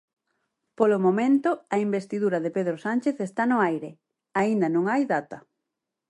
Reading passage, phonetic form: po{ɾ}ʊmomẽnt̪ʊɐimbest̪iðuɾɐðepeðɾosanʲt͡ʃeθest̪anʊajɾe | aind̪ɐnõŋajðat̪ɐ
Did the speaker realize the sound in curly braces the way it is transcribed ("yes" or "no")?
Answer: no